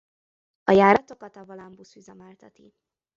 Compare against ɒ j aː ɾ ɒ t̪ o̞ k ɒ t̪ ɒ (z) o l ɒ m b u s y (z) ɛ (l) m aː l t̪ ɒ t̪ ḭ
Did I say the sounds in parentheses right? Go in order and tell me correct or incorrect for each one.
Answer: incorrect: v, correct, incorrect: none

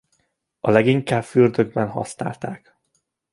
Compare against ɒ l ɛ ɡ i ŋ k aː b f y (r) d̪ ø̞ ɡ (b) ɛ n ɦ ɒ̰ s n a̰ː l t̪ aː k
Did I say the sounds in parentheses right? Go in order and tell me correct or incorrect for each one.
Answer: correct, correct

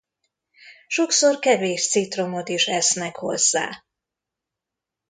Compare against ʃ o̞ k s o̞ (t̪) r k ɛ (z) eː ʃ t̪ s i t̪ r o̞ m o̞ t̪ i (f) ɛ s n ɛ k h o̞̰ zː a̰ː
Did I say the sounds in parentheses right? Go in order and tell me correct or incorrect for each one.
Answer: incorrect: none, incorrect: v, incorrect: ʃ

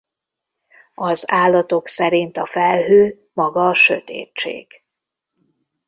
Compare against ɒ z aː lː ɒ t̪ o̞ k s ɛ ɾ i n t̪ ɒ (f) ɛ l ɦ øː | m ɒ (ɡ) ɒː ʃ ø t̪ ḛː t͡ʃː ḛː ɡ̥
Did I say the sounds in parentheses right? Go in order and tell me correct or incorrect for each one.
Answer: correct, correct

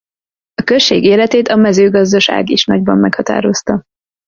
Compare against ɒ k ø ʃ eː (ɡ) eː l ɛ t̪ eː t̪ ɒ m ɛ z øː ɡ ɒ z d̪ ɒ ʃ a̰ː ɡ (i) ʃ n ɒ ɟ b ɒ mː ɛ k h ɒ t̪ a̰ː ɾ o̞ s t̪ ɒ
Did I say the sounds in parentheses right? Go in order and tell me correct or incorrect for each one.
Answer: correct, correct

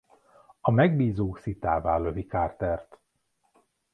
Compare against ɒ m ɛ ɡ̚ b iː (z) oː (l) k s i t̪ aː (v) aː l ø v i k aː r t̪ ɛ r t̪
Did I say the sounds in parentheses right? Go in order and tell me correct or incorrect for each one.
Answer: correct, incorrect: none, correct

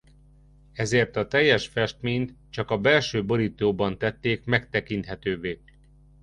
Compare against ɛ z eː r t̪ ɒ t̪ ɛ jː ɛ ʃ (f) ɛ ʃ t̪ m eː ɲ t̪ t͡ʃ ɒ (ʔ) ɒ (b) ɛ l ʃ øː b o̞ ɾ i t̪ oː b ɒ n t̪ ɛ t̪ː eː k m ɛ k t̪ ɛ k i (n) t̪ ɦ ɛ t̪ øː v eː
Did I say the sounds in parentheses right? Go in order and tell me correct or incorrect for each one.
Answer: correct, incorrect: k, correct, correct

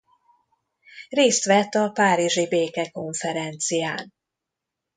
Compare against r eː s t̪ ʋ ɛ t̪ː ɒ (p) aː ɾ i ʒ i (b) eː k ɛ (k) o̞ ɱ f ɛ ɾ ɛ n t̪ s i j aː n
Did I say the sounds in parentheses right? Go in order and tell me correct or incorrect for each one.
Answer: correct, correct, correct

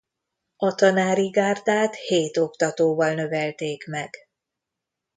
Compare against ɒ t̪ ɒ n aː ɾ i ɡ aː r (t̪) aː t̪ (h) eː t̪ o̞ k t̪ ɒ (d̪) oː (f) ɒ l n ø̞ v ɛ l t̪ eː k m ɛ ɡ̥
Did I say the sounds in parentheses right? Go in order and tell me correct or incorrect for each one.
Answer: incorrect: d̪, correct, incorrect: t̪, incorrect: v

